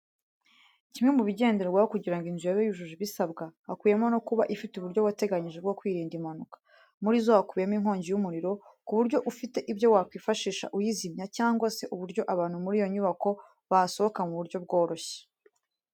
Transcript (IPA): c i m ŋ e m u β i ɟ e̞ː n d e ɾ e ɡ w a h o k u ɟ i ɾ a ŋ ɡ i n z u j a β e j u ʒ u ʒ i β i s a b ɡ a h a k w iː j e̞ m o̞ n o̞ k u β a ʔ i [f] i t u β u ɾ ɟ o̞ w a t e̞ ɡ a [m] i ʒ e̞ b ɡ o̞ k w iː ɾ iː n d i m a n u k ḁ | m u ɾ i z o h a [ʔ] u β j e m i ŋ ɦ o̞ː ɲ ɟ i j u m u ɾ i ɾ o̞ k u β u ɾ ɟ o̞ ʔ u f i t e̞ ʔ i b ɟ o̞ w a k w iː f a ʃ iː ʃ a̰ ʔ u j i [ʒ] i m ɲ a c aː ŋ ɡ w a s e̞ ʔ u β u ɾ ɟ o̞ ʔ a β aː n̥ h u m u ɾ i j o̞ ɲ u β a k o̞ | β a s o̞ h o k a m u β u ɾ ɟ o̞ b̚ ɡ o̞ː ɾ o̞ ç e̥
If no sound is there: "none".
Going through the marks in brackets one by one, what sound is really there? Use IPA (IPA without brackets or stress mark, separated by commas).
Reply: f, ɲ, k, z